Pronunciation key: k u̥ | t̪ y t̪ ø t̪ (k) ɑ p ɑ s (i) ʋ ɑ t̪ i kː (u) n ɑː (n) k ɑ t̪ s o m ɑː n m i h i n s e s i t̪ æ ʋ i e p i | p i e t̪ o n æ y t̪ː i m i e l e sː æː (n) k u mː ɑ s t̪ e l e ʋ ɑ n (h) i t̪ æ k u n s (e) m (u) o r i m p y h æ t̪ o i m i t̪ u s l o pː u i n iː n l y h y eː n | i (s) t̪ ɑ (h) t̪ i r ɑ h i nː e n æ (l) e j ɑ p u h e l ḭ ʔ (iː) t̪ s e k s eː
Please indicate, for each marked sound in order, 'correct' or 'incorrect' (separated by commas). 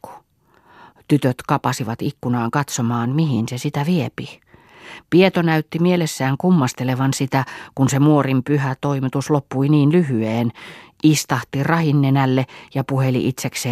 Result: correct, correct, correct, incorrect, incorrect, incorrect, correct, correct, correct, correct, incorrect, incorrect